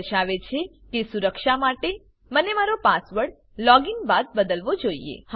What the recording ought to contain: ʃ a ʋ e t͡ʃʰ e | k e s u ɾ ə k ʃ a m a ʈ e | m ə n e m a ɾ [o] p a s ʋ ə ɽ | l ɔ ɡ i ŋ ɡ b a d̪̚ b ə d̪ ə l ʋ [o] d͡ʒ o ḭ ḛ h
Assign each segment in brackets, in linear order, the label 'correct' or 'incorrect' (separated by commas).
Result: correct, correct